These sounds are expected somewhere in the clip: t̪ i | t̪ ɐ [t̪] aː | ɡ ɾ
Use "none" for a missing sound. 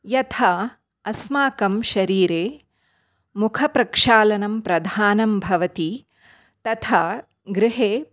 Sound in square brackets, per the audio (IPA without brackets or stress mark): t̪ʰ